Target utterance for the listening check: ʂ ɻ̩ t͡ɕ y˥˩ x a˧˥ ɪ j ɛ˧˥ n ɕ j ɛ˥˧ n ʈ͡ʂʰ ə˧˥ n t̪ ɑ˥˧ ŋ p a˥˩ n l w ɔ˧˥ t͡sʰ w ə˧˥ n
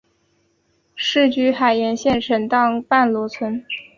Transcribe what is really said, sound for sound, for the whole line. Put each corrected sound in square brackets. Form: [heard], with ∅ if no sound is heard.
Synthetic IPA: ʂ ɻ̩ t͡ɕ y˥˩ x [a˨˩] ɪ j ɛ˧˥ n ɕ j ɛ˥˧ n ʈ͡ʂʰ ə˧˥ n t̪ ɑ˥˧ ŋ p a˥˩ n l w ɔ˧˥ t͡sʰ w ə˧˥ n